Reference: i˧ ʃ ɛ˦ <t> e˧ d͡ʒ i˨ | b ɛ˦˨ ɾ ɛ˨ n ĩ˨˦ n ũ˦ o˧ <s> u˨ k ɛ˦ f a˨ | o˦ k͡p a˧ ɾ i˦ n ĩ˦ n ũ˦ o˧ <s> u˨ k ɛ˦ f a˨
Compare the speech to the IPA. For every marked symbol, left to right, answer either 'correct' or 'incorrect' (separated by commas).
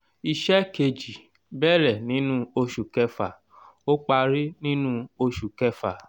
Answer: incorrect, incorrect, incorrect